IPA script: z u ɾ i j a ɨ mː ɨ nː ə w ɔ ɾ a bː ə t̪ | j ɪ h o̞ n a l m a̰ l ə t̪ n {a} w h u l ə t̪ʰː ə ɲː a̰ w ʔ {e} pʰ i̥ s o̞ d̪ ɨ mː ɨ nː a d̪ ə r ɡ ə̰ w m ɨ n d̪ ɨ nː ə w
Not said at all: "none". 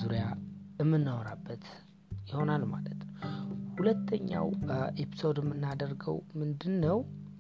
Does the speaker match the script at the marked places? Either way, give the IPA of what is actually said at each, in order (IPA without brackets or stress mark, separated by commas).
ə, e